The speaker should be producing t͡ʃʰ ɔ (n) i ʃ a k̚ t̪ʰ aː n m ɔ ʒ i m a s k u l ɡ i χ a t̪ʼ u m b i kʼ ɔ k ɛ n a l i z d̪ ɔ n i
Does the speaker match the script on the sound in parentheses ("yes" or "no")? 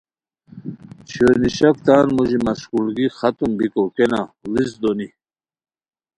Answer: yes